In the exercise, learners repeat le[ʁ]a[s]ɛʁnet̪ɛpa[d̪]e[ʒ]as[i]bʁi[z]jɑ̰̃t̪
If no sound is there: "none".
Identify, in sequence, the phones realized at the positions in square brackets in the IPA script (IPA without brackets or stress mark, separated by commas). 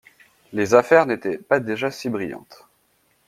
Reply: z, f, d̪, ʒ, i, none